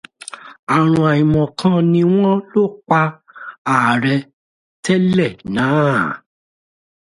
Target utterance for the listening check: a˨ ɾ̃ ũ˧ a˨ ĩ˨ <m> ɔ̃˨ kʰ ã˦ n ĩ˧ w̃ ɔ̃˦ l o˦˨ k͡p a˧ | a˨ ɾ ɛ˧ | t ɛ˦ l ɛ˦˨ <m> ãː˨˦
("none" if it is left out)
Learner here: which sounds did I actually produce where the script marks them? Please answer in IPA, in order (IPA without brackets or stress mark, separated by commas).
m, n